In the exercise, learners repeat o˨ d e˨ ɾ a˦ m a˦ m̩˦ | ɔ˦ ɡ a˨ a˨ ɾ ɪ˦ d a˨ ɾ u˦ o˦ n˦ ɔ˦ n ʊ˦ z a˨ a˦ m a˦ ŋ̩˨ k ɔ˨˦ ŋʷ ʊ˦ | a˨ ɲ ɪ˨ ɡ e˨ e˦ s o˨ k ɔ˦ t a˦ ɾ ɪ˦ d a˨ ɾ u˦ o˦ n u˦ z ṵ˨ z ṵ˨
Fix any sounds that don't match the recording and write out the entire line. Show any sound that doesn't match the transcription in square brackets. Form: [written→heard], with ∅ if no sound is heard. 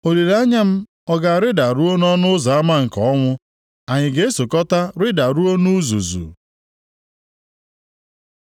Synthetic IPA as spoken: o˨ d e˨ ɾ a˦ [m→ɲ] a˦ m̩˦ | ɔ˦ ɡ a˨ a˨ ɾ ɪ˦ d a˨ ɾ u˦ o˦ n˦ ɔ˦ n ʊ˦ z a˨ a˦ m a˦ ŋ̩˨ k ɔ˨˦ ŋʷ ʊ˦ | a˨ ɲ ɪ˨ ɡ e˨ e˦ s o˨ k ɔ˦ t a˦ ɾ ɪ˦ d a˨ ɾ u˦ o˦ n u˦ z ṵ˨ z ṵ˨

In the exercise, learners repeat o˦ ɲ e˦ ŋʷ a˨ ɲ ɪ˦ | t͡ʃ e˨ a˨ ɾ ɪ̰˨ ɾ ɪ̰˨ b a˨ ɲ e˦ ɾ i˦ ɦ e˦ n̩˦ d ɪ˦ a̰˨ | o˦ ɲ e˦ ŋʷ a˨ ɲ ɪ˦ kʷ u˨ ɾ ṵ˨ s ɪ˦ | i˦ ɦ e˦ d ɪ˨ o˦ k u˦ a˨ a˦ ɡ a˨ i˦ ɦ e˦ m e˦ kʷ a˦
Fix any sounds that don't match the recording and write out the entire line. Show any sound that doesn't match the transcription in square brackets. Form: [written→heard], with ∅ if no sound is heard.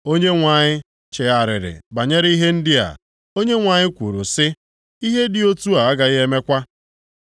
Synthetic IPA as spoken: o˦ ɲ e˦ ŋʷ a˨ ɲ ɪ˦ | t͡ʃ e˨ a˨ ɾ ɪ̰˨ ɾ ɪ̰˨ b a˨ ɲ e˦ ɾ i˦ ɦ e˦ n̩˦ d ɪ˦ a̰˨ | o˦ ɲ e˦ ŋʷ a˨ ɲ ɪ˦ kʷ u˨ ɾ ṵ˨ s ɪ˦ | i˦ ɦ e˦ d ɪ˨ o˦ [k→t] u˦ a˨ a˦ ɡ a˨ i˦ ɦ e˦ m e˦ kʷ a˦

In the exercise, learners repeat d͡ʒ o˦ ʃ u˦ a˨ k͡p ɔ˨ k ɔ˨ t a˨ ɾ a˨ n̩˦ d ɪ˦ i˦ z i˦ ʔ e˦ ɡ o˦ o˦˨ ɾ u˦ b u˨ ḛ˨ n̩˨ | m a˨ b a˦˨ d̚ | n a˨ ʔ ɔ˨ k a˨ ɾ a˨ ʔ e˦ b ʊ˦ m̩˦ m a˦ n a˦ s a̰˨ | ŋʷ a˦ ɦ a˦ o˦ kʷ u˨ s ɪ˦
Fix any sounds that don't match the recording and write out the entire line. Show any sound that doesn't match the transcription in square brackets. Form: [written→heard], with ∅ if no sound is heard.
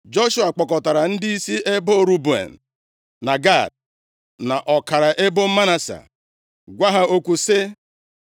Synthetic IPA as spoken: d͡ʒ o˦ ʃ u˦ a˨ k͡p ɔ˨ k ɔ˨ t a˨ ɾ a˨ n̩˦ d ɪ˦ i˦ [z→s] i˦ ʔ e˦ [ɡ→b] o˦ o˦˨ ɾ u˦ b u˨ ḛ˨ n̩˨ | [m→n] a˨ [b→ɡ] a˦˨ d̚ | n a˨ ʔ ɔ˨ k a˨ ɾ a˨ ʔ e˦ b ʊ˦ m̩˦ m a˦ n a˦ s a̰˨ | [ŋʷ→ɡʷ] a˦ ɦ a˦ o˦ kʷ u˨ s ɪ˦

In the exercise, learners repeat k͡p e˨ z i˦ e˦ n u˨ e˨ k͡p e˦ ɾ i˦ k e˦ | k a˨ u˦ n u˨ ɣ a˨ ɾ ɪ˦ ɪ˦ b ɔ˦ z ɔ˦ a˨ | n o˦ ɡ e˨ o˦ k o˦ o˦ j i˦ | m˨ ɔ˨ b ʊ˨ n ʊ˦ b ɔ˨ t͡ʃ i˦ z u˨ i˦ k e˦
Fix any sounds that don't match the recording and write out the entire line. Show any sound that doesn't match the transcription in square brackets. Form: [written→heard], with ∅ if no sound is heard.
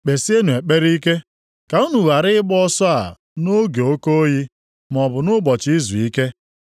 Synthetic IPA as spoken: k͡p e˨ [z→s] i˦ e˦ n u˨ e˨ k͡p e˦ ɾ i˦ k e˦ | k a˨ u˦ n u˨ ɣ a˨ ɾ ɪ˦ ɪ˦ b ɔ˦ [z→s] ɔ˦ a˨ | n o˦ ɡ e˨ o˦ k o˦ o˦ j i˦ | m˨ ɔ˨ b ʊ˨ n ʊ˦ b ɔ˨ t͡ʃ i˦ z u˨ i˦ k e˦

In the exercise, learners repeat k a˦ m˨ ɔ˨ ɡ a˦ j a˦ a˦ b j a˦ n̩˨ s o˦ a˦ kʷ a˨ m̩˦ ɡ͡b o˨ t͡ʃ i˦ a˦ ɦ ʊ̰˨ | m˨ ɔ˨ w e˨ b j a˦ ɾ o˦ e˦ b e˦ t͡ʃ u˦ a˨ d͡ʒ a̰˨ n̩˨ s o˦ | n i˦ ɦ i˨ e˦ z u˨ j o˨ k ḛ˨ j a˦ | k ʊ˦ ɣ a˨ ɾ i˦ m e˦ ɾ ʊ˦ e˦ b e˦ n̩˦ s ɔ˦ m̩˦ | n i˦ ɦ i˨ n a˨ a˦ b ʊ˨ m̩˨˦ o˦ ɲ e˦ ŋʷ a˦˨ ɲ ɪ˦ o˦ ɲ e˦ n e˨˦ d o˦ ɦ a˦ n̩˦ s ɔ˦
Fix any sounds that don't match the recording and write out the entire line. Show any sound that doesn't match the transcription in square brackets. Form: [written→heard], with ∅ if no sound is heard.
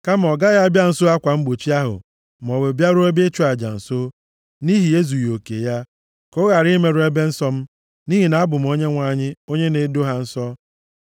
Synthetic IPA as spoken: k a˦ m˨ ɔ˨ ɡ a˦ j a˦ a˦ b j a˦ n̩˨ s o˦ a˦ kʷ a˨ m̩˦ ɡ͡b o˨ t͡ʃ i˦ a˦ ɦ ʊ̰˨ | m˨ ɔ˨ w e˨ b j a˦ ɾ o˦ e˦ b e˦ t͡ʃ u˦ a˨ d͡ʒ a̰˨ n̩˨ s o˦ | n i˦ ɦ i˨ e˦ z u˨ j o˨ k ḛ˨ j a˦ | k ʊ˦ ɣ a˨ ɾ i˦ m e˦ ɾ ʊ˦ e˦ b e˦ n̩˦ s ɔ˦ m̩˦ | n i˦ ɦ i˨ n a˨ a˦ b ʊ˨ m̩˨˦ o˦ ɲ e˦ ŋʷ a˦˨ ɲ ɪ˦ o˦ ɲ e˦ n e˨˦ d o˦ ɦ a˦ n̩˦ s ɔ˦

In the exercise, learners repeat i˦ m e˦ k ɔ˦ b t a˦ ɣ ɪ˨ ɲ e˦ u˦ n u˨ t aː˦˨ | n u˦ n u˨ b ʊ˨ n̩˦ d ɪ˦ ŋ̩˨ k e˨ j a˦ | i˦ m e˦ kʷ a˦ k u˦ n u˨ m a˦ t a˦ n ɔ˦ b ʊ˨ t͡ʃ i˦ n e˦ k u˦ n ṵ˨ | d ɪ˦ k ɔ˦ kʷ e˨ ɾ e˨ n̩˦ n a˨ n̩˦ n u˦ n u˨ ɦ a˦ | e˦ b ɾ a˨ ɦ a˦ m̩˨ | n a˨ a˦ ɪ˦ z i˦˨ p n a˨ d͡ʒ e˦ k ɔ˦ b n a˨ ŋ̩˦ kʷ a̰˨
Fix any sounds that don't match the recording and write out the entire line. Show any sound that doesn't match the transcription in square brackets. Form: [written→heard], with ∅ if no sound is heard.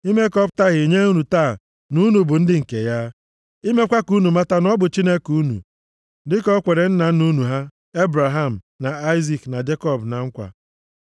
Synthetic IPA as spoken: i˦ m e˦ k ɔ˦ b t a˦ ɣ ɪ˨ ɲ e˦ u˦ n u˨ t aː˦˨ | n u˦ n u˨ b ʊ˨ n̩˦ d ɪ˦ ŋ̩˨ k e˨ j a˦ | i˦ m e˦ kʷ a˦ k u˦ n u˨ m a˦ t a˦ n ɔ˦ b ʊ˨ t͡ʃ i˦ n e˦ k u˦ n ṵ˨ | d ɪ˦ k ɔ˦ kʷ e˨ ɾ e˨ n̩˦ n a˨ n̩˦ n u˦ n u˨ ɦ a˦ | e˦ b ɾ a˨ ɦ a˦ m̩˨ | n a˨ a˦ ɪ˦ z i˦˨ [p→k] n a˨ d͡ʒ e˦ k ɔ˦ b n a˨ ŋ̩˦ kʷ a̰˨

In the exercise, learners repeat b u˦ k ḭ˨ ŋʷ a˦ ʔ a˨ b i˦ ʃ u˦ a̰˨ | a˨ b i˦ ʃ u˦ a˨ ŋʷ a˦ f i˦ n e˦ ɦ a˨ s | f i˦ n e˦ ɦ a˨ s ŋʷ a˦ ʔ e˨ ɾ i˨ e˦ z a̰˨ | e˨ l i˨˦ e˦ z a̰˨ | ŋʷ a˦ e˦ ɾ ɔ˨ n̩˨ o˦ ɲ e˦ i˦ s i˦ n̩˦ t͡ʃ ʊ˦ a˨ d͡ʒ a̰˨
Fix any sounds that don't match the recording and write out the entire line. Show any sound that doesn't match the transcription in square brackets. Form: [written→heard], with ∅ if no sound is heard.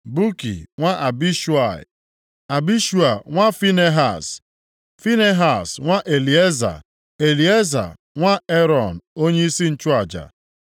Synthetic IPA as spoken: b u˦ k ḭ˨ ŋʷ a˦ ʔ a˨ b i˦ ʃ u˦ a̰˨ | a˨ b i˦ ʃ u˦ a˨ ŋʷ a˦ f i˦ n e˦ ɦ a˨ s | f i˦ n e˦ ɦ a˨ s ŋʷ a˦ ʔ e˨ [ɾ→l] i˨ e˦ z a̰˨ | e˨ l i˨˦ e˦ z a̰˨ | ŋʷ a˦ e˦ ɾ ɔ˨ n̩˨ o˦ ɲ e˦ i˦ s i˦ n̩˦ t͡ʃ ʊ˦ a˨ d͡ʒ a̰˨

